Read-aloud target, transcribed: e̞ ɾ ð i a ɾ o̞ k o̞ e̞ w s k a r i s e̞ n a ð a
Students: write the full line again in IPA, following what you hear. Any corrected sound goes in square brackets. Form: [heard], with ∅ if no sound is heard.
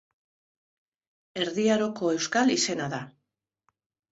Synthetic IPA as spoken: e̞ ɾ ð i a ɾ o̞ k o̞ e̞ w s k a [l] i s e̞ n a ð a